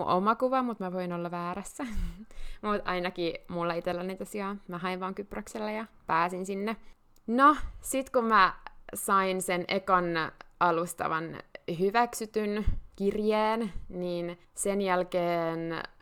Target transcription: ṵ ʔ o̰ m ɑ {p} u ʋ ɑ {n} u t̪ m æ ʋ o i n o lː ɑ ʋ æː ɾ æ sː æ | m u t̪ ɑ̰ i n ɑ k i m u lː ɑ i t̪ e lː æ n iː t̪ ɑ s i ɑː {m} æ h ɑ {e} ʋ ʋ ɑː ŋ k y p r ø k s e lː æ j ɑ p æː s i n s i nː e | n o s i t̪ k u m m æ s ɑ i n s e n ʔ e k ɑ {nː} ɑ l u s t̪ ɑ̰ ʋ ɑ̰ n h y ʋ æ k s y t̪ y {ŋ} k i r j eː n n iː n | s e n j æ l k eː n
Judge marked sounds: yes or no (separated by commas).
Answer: no, no, yes, no, no, no